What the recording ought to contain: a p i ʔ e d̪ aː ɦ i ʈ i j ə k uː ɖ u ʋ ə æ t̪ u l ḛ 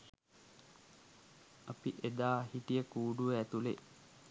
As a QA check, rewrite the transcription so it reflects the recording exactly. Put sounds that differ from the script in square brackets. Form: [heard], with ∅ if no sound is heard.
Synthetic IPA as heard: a p i ʔ e d̪ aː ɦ i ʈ i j ə k uː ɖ u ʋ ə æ t̪ u l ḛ